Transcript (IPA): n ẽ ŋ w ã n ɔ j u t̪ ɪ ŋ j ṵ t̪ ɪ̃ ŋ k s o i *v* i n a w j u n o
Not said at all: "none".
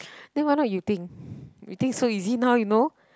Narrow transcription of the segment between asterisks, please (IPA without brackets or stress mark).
z